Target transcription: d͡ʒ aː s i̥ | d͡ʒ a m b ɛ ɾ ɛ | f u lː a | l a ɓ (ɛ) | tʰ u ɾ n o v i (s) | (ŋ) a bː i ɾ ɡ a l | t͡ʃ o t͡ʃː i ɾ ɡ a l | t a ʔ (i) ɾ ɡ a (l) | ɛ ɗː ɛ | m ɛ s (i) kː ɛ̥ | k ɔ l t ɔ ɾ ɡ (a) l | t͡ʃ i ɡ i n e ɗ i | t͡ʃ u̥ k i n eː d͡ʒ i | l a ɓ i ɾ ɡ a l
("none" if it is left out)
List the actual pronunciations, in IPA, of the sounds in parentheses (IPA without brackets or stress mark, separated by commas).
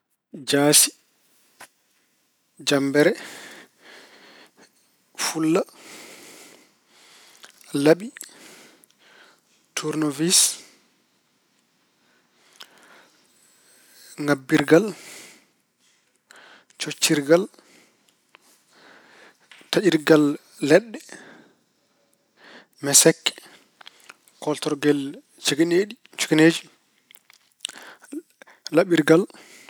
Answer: i, s, ŋ, i, lː, ɛ, ɛ